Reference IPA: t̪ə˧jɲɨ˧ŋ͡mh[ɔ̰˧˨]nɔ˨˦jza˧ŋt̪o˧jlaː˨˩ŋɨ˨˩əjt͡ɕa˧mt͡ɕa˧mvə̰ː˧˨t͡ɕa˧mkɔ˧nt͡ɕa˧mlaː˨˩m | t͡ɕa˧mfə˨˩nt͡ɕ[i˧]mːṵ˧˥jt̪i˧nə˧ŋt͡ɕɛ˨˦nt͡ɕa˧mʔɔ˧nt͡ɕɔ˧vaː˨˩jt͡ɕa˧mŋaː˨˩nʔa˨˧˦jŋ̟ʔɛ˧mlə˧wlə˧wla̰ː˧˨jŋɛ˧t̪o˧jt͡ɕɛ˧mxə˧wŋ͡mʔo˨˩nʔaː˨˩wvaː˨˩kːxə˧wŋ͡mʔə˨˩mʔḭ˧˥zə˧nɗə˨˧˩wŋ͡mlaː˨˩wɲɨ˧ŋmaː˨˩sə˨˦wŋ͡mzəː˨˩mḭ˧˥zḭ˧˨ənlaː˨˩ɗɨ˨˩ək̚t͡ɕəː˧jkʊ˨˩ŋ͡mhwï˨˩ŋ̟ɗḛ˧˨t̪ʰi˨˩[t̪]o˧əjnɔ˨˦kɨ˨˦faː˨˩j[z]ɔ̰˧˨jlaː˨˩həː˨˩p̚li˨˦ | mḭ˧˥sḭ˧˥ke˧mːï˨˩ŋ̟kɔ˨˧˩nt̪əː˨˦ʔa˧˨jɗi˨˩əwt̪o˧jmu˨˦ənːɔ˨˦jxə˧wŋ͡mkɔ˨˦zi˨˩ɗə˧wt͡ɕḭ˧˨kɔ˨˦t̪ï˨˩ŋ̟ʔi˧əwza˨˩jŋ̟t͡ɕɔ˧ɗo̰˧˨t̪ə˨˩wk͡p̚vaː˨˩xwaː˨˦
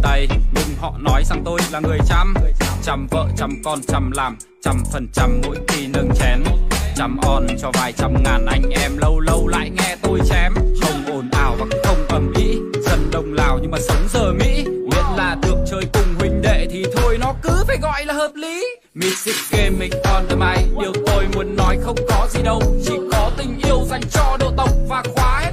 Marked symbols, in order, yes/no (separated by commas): yes, no, no, no